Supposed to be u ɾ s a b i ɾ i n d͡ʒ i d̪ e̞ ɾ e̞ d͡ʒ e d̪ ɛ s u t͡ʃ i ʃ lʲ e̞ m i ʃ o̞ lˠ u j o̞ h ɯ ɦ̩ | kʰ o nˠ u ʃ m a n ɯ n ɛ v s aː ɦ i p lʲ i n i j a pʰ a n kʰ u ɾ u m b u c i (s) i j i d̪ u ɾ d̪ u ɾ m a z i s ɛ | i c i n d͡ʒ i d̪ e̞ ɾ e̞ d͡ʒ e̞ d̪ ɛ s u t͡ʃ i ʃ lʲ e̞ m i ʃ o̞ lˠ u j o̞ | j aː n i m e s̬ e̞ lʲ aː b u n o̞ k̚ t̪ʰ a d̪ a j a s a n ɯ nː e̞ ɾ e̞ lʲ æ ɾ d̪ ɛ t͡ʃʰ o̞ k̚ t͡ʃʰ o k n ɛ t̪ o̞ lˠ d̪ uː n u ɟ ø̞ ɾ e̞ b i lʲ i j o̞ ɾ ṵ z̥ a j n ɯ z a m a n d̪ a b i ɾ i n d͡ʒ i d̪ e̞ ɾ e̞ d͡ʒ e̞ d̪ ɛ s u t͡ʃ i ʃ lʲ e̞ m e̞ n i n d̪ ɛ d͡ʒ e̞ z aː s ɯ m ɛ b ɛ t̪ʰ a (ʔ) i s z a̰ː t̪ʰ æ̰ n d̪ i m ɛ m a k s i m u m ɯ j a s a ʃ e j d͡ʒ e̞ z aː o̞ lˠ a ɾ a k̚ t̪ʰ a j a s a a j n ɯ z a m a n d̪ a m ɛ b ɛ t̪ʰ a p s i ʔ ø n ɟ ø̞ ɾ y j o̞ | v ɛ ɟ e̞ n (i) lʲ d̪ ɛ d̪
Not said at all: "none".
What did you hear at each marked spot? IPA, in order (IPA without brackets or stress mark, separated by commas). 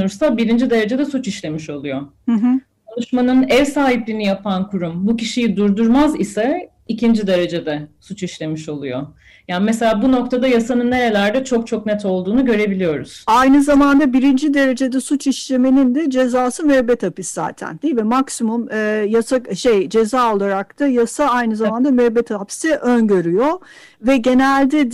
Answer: ʃ, p, æ